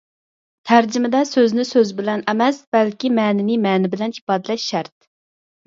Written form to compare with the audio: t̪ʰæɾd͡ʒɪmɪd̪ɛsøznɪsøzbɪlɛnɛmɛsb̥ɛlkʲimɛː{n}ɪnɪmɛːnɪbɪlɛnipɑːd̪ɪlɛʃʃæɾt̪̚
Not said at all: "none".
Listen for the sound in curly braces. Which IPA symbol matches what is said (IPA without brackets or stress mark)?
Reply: n